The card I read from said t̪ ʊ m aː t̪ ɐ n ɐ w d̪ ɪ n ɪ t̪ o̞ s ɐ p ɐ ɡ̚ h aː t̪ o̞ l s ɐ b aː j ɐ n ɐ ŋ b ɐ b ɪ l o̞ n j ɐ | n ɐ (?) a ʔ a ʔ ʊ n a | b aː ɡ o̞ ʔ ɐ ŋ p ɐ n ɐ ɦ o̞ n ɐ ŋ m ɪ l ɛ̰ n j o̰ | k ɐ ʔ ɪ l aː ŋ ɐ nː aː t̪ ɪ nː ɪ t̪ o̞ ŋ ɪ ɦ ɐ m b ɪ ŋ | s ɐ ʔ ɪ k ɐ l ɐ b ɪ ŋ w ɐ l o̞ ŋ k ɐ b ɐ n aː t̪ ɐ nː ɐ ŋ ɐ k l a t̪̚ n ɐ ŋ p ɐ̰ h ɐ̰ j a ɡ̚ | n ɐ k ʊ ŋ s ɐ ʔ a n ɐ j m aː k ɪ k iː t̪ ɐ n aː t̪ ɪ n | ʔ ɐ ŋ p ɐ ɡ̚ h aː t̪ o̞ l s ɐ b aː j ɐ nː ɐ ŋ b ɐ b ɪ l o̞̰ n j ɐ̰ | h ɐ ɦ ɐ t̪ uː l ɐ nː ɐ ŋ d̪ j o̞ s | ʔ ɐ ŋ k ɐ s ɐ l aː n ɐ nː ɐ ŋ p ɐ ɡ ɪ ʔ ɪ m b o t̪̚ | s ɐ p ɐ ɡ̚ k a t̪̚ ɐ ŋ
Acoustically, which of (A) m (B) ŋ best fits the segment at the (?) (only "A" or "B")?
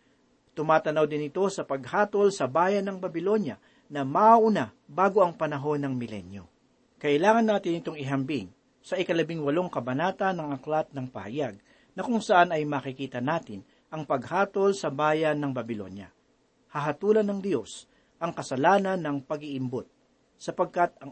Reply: A